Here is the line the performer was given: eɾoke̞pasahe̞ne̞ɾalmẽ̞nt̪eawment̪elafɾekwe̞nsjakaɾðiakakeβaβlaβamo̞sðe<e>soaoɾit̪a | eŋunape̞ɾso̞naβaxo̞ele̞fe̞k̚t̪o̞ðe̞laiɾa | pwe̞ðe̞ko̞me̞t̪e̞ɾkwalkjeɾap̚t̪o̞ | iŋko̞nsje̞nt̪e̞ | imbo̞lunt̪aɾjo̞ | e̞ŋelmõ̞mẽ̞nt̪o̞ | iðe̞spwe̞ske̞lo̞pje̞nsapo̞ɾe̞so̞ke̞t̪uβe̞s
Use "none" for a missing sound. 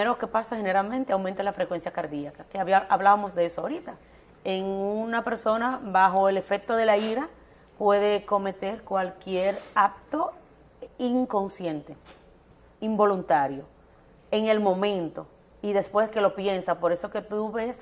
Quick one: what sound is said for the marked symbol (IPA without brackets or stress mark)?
e